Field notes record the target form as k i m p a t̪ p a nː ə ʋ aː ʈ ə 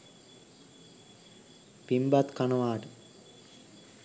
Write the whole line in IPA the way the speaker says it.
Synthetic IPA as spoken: p i m b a t̪ k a n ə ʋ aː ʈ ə